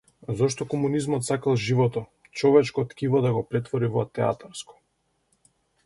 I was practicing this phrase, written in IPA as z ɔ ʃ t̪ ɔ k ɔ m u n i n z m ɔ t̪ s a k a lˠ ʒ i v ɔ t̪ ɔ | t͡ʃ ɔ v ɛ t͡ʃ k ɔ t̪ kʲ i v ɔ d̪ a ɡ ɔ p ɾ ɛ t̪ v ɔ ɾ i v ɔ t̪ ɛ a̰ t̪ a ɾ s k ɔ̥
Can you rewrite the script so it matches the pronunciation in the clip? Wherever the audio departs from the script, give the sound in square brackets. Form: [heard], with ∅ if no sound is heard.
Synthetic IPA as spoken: z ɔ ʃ t̪ ɔ k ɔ m u n i [∅] z m ɔ t̪ s a k a lˠ ʒ i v ɔ t̪ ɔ | t͡ʃ ɔ v ɛ t͡ʃ k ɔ t̪ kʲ i v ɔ d̪ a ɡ ɔ p ɾ ɛ t̪ v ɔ ɾ i v ɔ t̪ ɛ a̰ t̪ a ɾ s k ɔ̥